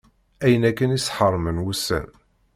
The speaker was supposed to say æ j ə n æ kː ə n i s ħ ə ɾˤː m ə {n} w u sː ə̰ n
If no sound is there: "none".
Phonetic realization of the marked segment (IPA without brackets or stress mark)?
n